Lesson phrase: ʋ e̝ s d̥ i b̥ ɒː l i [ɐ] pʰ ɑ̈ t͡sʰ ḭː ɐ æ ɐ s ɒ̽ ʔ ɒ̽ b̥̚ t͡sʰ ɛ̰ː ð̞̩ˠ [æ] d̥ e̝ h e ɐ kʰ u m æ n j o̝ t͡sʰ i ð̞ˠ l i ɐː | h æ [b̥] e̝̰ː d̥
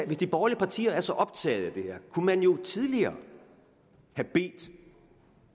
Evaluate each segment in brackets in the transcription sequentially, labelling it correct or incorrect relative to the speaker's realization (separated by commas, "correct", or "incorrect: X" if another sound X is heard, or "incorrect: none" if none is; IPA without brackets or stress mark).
incorrect: ə, correct, correct